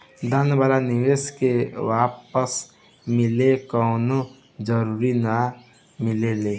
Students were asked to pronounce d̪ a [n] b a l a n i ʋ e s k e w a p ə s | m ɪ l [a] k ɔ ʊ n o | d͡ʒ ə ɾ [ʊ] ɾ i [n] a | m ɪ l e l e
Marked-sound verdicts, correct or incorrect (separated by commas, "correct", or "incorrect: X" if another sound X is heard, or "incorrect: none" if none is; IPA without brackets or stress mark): correct, incorrect: e, incorrect: u, correct